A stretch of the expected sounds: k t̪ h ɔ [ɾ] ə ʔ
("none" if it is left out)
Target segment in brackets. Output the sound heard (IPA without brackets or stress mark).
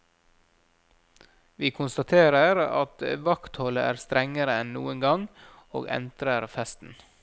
l